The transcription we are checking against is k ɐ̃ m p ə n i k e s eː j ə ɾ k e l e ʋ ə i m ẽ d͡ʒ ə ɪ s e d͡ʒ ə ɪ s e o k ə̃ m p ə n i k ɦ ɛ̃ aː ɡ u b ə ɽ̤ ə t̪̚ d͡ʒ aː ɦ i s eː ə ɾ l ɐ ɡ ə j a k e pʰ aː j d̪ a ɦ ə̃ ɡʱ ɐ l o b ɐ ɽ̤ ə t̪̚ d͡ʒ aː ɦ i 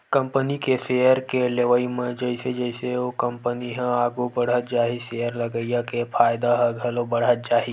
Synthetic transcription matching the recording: k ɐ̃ m p ə n i k e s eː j ə ɾ k e l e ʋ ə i m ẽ d͡ʒ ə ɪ s e d͡ʒ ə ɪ s e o k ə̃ m p ə n i ɦ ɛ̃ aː ɡ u b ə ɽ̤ ə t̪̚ d͡ʒ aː ɦ i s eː ə ɾ l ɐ ɡ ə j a k e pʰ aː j d̪ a ɦ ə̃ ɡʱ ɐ l o b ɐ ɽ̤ ə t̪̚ d͡ʒ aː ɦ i